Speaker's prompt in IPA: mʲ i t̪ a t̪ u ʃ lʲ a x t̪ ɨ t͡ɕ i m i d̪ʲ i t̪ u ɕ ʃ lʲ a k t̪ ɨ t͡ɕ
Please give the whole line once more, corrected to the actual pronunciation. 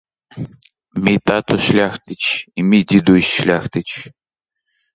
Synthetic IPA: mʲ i t̪ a t̪ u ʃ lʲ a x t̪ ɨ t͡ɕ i m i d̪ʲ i d̪ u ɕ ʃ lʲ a x t̪ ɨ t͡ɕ